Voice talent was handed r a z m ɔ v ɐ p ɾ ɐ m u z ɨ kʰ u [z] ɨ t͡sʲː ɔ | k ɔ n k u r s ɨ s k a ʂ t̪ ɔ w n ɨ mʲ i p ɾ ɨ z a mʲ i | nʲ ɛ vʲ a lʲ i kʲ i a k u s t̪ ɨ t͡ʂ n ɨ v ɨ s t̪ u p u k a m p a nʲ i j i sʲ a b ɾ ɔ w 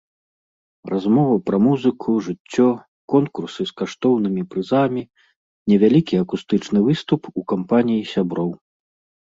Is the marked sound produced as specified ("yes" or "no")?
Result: no